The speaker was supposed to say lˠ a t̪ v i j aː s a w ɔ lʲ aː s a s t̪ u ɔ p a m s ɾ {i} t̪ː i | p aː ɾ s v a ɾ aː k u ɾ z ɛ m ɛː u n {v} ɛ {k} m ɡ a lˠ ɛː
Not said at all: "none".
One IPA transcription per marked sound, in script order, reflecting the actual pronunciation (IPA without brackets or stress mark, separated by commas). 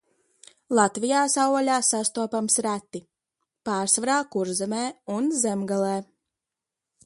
æ, z, none